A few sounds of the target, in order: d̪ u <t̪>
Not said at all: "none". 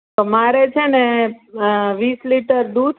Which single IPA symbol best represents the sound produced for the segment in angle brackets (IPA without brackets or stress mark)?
d̪